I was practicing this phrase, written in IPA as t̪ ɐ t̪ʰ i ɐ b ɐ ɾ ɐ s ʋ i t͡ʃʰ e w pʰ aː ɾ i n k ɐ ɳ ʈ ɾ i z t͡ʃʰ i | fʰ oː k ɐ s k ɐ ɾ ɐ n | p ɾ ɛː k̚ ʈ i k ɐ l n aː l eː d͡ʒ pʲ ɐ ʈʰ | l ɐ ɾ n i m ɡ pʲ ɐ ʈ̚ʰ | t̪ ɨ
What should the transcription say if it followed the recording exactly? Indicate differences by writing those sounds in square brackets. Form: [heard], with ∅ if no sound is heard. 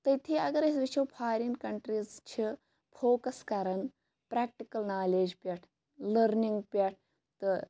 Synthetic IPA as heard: t̪ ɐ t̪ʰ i ɐ [ɡ] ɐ ɾ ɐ s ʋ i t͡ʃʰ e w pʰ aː ɾ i n k ɐ ɳ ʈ ɾ i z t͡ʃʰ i | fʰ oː k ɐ s k ɐ ɾ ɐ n | p ɾ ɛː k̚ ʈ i k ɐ l n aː l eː d͡ʒ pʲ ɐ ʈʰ | l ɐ ɾ n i [ŋ] ɡ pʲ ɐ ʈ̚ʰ | t̪ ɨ